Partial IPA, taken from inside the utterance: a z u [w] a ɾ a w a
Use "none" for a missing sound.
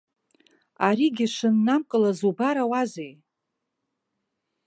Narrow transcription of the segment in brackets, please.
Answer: b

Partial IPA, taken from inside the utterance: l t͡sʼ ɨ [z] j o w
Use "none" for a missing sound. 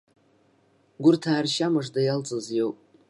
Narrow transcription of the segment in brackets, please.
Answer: z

